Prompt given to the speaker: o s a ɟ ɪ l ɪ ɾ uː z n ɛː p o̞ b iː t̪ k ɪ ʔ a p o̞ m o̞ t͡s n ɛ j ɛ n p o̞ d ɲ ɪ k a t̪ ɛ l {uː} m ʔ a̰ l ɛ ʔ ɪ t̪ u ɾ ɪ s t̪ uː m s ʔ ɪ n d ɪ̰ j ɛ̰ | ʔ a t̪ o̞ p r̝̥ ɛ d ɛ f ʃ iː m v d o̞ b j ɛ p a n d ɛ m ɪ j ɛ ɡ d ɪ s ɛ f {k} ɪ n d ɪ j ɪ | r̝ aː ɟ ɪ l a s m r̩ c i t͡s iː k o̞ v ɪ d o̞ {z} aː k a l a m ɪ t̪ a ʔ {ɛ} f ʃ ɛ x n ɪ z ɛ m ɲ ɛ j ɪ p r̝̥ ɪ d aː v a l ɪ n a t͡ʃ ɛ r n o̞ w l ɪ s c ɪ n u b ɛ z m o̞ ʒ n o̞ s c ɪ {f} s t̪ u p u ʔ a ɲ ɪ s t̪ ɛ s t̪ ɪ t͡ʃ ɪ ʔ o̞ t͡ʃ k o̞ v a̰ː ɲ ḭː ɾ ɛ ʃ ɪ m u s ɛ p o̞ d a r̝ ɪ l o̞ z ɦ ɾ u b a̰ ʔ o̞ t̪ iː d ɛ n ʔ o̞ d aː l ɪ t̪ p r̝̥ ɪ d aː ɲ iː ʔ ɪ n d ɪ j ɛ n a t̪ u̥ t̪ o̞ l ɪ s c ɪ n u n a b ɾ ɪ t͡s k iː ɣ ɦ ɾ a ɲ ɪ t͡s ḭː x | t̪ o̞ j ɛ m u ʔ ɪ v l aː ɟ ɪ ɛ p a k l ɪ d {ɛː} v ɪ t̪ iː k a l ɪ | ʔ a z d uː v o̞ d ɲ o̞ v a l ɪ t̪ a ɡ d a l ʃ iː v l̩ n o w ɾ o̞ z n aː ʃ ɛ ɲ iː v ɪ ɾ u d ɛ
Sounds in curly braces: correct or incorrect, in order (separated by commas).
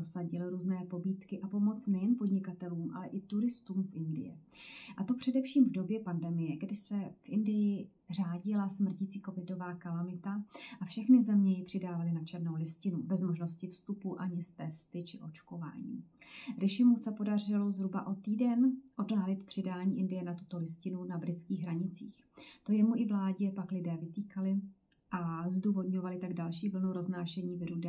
correct, incorrect, incorrect, incorrect, correct, correct